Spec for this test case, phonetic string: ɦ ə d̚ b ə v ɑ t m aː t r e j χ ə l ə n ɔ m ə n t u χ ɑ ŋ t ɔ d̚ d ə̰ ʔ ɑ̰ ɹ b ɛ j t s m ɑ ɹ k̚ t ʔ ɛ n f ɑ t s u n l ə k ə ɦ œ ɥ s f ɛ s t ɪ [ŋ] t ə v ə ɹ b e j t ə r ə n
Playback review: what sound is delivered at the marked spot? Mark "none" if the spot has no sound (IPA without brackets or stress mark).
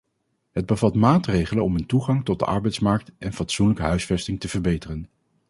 ŋ